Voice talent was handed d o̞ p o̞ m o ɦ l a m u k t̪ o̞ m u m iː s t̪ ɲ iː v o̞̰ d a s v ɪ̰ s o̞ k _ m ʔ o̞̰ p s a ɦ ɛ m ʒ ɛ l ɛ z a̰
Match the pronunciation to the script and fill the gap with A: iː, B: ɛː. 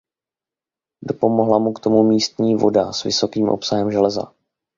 A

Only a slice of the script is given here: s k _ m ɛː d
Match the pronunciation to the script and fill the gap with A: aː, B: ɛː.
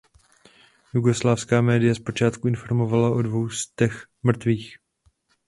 A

